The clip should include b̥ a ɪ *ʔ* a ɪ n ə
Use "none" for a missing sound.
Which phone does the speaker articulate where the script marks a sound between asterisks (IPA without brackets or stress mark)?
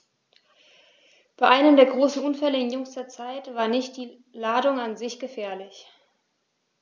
ʔ